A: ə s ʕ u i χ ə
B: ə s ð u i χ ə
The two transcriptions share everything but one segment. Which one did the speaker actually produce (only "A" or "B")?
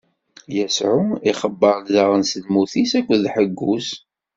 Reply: A